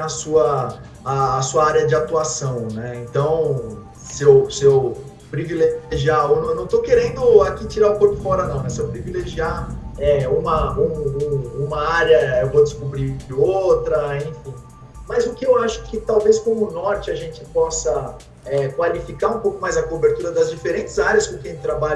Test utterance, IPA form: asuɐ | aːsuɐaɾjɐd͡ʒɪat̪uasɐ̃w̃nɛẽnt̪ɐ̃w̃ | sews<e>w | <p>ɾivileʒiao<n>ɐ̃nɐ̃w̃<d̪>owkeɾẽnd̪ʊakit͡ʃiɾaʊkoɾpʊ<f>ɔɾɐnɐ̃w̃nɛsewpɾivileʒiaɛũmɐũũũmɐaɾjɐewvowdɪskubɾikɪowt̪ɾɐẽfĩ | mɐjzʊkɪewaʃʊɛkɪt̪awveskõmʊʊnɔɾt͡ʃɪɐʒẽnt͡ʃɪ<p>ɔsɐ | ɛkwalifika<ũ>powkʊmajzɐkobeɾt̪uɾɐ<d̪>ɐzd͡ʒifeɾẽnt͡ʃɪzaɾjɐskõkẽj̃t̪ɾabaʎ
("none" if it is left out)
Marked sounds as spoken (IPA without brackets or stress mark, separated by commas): e, p, n, t̪, f, p, ũ, d̪